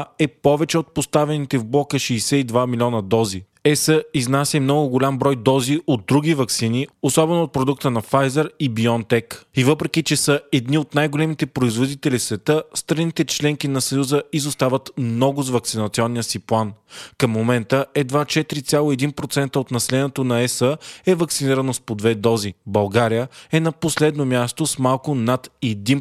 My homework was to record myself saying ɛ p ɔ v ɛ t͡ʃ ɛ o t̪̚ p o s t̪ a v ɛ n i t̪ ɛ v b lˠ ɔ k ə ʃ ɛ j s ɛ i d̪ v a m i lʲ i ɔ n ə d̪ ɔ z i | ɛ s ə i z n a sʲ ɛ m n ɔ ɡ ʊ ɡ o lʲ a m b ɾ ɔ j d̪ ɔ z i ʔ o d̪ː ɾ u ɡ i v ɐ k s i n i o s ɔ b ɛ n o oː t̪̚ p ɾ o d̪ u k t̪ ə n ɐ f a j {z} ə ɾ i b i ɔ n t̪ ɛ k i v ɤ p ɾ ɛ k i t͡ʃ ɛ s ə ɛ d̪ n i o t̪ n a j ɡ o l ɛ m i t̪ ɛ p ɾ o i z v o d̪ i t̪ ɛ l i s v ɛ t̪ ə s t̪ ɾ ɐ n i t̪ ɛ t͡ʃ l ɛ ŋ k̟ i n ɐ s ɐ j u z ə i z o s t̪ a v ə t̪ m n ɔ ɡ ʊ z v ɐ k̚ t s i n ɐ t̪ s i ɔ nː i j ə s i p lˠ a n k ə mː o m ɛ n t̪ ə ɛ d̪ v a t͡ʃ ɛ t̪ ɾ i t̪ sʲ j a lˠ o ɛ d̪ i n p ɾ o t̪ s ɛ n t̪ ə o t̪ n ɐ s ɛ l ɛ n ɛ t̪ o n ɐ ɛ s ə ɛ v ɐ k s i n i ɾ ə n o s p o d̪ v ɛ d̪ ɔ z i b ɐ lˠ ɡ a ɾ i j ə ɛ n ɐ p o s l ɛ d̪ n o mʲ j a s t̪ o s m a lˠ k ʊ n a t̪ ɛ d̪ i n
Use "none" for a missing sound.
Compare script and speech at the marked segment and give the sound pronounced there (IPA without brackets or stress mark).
z